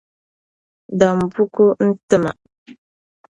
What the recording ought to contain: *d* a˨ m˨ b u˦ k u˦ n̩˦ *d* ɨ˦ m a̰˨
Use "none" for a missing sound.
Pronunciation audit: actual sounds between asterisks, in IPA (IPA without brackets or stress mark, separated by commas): d, t